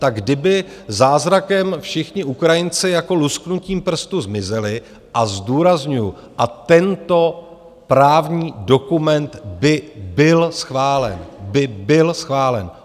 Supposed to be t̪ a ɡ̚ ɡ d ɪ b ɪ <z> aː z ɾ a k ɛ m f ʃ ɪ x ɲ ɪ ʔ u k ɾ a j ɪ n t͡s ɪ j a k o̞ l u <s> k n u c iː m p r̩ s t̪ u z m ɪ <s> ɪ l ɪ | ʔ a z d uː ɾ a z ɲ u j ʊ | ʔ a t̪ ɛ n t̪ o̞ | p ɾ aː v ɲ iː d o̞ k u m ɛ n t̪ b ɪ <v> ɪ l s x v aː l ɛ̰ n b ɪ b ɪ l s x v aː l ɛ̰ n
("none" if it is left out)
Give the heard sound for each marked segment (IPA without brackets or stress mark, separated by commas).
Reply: z, s, z, b